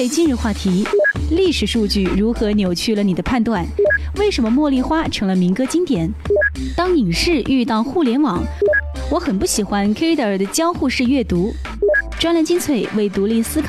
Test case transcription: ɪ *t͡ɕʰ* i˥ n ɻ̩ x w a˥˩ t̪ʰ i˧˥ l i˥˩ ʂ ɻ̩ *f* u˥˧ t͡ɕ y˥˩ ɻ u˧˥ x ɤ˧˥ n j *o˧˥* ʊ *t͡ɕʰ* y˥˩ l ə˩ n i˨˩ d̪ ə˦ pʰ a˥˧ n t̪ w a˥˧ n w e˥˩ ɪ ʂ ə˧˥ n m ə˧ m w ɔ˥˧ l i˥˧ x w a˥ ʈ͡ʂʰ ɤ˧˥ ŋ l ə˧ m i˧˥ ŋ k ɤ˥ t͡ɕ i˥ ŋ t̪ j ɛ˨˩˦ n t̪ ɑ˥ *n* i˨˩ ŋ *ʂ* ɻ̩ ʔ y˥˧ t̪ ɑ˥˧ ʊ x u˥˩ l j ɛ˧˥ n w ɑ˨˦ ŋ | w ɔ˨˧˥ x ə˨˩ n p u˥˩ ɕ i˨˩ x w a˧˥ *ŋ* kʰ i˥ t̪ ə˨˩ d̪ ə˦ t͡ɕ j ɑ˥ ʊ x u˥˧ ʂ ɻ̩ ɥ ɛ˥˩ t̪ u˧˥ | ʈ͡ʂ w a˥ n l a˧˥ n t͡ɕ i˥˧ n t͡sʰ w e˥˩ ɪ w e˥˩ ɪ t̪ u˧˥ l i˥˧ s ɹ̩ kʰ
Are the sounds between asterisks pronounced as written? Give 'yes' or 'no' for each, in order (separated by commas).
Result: no, no, no, yes, no, yes, no